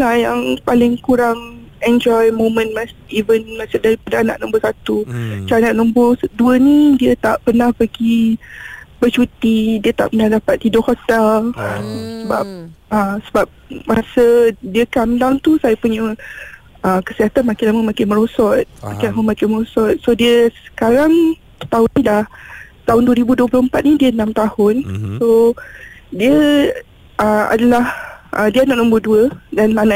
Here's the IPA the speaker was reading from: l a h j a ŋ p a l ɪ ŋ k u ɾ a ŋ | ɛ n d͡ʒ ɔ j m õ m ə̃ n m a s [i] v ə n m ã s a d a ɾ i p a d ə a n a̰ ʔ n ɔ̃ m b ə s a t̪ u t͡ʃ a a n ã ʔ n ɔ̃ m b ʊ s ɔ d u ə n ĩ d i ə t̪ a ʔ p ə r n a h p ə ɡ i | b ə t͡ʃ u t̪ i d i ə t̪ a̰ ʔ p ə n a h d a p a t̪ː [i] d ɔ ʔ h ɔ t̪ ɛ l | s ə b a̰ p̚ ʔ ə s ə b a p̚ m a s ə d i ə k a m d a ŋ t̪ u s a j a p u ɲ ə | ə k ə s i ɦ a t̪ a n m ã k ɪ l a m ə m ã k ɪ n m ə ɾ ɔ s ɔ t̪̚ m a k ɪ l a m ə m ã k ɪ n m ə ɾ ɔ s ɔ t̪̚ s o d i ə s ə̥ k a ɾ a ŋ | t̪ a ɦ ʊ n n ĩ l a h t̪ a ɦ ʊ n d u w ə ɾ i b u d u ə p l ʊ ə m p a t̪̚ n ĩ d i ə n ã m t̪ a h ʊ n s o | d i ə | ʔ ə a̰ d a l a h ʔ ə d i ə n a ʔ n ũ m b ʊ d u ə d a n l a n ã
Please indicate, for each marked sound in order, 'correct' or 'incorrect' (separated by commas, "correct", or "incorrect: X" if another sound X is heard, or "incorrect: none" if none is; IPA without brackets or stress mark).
correct, correct